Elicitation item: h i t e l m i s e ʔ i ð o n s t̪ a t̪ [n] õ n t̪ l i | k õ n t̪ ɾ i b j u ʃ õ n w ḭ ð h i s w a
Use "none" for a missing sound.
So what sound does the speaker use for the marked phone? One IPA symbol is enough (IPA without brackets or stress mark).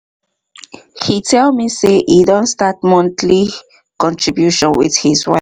m